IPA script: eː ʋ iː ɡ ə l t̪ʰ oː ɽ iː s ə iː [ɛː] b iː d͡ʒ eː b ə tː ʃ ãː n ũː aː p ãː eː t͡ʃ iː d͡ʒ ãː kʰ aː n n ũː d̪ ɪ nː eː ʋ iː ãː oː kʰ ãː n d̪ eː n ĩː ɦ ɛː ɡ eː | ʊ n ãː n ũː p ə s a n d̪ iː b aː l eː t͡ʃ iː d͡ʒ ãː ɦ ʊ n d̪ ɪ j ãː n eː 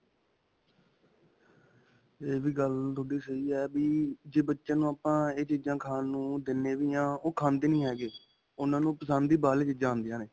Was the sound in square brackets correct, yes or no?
yes